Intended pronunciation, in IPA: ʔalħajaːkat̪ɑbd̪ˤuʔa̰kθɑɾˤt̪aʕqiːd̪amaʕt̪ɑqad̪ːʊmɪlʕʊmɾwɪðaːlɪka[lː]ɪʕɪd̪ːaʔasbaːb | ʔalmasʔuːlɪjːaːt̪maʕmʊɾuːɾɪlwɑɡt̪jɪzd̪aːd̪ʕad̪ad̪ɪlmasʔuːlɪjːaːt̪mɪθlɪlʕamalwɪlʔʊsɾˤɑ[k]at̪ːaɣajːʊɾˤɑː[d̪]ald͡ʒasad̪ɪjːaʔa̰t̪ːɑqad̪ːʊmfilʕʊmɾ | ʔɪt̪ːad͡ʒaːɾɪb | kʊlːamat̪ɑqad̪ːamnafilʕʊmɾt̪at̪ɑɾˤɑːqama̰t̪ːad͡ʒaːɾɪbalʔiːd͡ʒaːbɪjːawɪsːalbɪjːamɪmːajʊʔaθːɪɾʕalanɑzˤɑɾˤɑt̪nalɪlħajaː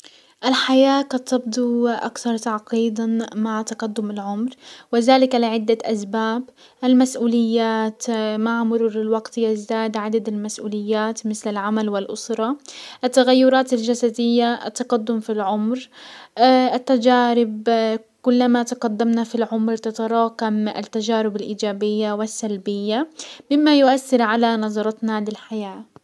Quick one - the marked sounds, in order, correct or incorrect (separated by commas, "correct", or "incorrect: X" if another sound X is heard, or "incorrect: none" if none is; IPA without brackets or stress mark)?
incorrect: l, incorrect: ʔ, incorrect: t̪